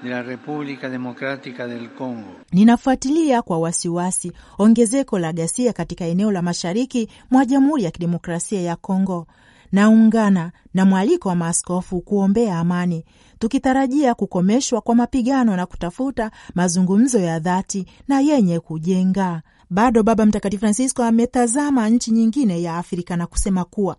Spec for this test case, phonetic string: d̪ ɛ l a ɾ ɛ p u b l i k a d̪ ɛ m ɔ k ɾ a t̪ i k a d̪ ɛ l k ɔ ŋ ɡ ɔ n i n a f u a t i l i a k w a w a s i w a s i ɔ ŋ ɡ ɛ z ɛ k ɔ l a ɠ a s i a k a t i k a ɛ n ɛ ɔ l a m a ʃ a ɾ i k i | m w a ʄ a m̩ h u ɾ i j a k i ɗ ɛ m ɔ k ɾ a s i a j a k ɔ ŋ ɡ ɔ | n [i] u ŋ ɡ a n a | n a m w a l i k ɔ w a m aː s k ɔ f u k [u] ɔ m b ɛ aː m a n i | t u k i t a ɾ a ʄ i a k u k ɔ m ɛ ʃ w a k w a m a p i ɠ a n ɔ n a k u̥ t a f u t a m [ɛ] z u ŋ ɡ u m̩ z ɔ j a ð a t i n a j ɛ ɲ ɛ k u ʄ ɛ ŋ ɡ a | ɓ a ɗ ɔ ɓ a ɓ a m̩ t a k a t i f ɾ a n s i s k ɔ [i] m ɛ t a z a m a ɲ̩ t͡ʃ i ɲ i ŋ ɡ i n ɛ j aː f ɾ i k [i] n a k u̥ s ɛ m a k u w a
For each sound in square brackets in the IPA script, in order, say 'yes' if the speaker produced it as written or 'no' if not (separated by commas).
no, yes, no, no, no